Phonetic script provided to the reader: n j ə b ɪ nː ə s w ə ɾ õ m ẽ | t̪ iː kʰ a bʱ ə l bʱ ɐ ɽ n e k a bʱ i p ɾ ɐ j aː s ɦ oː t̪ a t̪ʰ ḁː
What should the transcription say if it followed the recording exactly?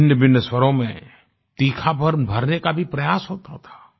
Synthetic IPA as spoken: n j ə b ɪ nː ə s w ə ɾ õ m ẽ | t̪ iː kʰ a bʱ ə ɾ bʱ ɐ ɾ n e k a bʱ i p ɾ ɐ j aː s ɦ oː t̪ a t̪ʰ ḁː